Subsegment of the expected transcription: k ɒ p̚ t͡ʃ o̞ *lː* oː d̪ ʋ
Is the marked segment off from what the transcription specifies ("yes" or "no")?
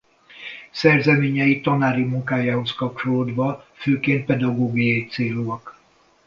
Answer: yes